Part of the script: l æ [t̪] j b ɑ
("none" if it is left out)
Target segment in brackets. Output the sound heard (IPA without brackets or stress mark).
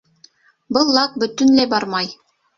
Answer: none